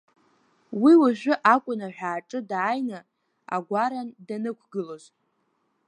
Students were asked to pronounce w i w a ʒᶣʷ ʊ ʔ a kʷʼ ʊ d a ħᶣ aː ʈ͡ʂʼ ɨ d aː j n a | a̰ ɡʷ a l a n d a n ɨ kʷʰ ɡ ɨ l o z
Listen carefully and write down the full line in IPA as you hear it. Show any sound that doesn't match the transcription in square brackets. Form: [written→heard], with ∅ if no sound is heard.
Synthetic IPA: w i w a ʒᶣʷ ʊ ʔ a kʷʼ ʊ [d→n] a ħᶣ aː ʈ͡ʂʼ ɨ d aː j n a | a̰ ɡʷ a [l→ɾ] a n d a n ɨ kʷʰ ɡ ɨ l o z